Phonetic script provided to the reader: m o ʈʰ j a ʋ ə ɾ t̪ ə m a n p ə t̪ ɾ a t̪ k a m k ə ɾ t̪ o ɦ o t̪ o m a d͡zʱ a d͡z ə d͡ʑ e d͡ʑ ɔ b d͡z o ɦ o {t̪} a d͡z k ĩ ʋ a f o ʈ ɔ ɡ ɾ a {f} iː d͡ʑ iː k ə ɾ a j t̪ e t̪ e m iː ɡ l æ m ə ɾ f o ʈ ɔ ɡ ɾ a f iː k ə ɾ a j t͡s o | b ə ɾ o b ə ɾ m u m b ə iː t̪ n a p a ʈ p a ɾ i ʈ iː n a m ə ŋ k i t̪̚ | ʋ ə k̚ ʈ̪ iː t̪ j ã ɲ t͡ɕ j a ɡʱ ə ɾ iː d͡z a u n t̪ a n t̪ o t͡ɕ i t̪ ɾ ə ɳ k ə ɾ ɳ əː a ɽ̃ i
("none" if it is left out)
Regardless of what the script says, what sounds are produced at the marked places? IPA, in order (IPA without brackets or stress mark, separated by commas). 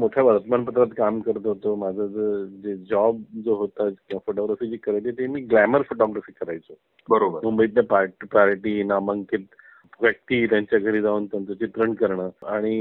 t̪, f